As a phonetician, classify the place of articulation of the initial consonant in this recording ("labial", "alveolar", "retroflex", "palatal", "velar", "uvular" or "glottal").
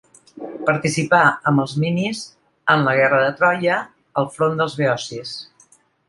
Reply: labial